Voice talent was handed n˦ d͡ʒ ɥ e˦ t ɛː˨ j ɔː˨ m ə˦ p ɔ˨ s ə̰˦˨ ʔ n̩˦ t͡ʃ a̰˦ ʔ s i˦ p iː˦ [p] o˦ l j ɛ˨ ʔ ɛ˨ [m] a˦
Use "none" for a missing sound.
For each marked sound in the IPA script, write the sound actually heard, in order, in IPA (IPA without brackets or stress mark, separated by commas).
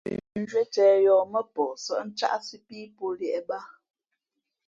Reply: p, b